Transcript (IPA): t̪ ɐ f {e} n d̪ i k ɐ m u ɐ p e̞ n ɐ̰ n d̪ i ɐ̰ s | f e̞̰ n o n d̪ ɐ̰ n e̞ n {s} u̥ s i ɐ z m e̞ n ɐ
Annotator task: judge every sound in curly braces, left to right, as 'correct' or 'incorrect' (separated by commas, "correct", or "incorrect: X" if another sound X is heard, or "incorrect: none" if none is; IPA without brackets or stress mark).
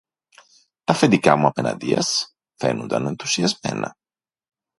correct, incorrect: θ